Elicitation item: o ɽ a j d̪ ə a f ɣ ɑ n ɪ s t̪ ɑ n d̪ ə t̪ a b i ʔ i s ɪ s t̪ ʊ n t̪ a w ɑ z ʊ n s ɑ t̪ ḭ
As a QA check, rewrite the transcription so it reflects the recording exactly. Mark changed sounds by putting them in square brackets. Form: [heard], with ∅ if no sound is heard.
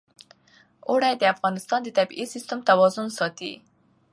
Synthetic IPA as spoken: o ɽ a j d̪ ə a f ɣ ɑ n ɪ s t̪ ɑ n d̪ ə t̪ a b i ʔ i s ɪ s t̪ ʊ [m] t̪ a w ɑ z ʊ n s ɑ t̪ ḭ